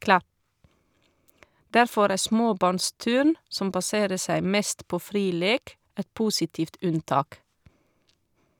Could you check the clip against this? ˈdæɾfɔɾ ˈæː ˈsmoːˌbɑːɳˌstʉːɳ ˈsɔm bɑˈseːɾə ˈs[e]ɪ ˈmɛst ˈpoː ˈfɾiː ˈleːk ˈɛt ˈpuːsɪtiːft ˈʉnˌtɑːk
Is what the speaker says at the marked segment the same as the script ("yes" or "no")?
no